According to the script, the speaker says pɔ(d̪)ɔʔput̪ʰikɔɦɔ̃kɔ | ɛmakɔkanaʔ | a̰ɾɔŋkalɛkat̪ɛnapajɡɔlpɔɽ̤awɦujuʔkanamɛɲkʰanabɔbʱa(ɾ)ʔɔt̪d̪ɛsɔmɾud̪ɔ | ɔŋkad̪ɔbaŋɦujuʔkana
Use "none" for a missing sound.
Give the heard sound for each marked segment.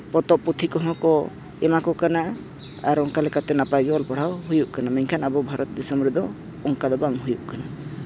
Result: t̪, ɾ

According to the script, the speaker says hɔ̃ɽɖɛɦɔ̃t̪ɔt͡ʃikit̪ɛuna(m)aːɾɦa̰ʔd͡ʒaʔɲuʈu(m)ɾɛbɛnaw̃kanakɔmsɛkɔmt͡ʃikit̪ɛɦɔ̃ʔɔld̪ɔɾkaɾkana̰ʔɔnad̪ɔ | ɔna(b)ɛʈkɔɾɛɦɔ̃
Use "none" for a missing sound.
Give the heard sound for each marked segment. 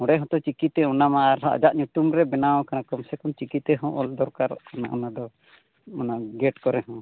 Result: m, m, ɡ

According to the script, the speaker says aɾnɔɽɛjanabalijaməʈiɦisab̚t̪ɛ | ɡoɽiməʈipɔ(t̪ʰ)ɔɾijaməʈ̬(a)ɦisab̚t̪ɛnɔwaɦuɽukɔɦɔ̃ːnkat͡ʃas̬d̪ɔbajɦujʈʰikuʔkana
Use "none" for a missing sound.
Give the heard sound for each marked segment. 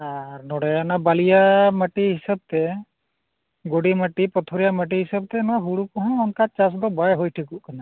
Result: t̪ʰ, i

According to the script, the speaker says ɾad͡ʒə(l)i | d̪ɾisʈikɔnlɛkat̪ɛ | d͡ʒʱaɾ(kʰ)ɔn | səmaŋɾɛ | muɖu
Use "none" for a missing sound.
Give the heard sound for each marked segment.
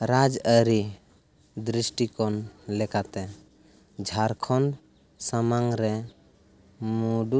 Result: ɾ, kʰ

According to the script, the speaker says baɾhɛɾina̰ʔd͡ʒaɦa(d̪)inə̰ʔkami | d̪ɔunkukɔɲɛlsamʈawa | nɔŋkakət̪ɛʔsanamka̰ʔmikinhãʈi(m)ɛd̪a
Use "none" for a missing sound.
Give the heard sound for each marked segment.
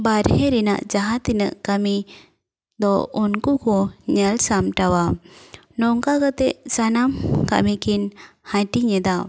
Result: t̪, ɲ

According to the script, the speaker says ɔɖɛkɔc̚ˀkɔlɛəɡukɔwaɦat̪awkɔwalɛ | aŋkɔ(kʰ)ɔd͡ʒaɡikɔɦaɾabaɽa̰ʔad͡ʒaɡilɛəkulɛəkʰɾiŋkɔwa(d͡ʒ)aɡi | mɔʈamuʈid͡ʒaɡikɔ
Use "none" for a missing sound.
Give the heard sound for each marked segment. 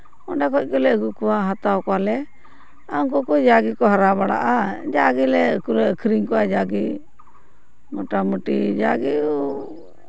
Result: k, d͡ʒ

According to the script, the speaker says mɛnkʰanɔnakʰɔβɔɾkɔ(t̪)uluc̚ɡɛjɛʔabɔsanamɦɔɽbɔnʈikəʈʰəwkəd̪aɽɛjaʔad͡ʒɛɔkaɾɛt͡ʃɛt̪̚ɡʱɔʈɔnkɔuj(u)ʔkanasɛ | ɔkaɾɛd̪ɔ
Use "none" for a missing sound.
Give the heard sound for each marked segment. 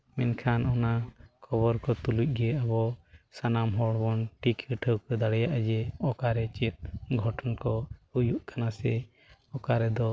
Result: t̪, u

